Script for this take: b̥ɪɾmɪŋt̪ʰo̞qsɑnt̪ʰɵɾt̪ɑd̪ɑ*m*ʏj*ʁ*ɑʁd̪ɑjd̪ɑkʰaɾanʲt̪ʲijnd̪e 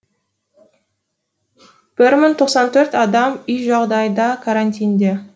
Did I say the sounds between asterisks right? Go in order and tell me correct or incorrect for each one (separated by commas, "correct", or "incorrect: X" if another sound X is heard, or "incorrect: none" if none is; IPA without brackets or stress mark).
correct, incorrect: ʒ